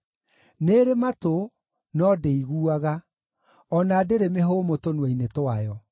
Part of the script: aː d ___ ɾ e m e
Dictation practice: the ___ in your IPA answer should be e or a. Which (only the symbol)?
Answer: e